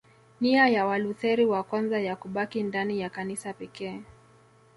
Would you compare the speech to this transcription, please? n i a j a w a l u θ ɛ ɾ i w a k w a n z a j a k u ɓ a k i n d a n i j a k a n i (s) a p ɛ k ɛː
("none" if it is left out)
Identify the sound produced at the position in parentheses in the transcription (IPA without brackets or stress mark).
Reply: s